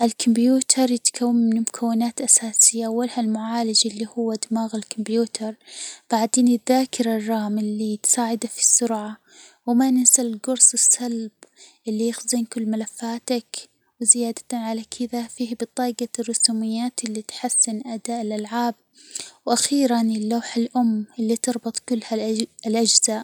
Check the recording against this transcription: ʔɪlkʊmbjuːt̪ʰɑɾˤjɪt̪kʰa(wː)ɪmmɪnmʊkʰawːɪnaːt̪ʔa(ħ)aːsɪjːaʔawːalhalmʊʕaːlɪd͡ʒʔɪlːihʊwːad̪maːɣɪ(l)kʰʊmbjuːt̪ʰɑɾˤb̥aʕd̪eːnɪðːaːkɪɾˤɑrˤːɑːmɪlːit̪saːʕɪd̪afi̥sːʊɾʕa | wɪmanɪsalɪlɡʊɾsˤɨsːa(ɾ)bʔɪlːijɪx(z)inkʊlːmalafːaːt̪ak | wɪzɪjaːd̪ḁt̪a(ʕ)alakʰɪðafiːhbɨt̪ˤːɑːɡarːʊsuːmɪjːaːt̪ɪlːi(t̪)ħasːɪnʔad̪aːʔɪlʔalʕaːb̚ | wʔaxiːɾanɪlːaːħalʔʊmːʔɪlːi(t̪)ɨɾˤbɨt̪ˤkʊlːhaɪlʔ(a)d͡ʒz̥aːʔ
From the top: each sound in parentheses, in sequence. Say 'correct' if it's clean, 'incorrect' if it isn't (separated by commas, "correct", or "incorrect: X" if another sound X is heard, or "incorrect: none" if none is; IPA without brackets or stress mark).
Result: correct, incorrect: s, correct, incorrect: l, correct, correct, correct, correct, correct